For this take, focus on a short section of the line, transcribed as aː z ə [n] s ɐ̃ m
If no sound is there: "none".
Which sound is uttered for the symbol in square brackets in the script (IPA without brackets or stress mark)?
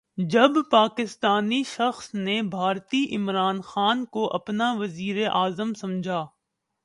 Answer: m